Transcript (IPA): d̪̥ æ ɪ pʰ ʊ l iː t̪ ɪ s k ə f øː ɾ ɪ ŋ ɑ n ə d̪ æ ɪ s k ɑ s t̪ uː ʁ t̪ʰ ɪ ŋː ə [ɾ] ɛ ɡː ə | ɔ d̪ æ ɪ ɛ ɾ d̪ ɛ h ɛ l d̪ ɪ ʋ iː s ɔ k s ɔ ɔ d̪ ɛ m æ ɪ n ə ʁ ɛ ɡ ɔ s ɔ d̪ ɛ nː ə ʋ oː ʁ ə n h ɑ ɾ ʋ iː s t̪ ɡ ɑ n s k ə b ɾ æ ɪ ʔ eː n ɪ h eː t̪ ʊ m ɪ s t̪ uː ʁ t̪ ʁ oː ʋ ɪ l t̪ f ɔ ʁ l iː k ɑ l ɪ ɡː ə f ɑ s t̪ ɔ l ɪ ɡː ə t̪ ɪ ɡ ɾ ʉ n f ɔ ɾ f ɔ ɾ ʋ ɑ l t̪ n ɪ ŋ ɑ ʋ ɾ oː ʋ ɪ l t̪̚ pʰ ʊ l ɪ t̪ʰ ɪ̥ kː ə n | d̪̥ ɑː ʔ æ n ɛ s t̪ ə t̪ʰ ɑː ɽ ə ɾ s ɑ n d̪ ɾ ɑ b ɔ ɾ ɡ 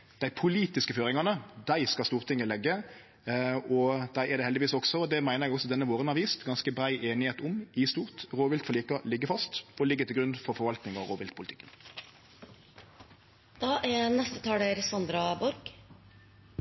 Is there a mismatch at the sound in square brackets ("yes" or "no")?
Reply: yes